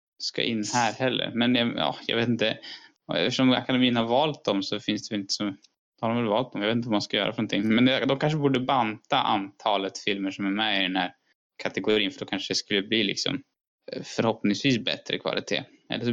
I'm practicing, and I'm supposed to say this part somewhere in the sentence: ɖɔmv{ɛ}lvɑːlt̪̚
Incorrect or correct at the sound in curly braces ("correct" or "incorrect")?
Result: correct